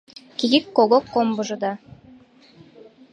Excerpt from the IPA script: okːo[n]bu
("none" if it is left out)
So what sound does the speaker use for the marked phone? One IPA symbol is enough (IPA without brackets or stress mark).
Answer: m